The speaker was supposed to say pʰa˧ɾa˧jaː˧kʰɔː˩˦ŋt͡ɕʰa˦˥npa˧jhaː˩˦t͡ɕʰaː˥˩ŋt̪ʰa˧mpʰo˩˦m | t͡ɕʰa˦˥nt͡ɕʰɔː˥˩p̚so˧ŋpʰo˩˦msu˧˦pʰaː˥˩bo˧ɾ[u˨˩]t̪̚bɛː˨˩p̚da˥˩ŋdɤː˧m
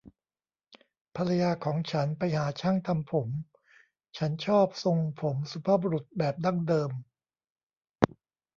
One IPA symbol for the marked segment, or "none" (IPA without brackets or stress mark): u˨˩